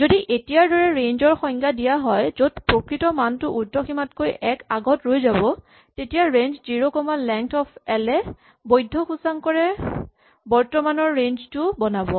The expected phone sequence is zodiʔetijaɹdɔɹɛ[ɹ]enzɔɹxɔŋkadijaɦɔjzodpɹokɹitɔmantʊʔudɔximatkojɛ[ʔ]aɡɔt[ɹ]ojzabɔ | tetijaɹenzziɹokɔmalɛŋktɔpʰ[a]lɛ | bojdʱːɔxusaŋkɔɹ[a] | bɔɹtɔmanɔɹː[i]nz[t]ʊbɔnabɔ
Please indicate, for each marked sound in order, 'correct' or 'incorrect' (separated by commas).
correct, incorrect, correct, incorrect, incorrect, incorrect, correct